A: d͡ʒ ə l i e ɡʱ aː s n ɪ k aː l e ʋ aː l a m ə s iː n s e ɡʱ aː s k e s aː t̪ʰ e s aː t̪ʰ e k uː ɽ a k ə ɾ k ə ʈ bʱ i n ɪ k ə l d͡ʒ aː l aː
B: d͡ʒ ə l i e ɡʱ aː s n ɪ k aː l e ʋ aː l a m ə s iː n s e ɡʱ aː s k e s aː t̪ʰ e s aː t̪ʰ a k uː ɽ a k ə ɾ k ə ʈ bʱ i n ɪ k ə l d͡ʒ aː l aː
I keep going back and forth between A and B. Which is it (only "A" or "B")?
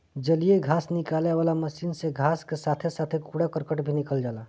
A